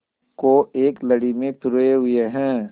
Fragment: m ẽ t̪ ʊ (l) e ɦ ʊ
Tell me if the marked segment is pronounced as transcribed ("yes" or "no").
no